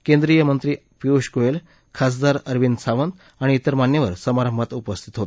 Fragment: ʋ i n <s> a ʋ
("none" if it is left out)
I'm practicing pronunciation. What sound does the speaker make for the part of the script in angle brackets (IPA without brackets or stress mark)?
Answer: s